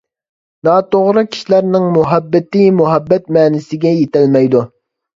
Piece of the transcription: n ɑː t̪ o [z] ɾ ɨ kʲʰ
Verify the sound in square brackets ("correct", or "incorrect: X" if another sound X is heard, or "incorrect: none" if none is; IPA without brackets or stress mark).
incorrect: ʁ